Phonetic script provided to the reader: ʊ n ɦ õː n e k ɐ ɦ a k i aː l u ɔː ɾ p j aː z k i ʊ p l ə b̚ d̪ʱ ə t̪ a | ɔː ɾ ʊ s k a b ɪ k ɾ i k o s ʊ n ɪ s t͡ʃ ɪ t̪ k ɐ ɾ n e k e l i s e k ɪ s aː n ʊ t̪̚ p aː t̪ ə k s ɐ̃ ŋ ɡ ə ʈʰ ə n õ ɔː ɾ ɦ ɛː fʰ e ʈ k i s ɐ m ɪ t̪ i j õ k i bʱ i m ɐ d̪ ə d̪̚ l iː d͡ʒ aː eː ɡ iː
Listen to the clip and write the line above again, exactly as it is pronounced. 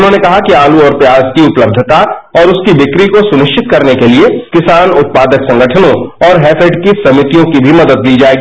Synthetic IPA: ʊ n ɦ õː n e k ɐ ɦ a k i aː l u ɔː ɾ p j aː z k i ʊ p l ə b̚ d̪ʱ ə t̪ a | ɔː ɾ ʊ s k i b ɪ k ɾ i k o s ʊ n ɪ ʃ t͡ʃ ɪ t̪ k ɐ ɾ n e k e l i e k ɪ s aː n ʊ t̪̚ p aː d̪ ə k s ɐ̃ ŋ ɡ ə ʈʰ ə n õ ɔː ɾ ɦ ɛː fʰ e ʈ k i s ɐ m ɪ t̪ i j õ k i bʱ i m ɐ d̪ ə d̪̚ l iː d͡ʒ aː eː ɡ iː